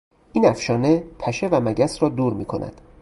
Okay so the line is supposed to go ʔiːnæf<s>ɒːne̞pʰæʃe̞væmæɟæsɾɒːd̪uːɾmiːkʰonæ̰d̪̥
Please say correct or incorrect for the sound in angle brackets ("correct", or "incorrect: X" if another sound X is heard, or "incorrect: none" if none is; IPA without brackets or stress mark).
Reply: incorrect: ʃ